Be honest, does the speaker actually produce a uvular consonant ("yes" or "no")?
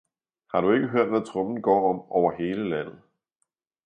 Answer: yes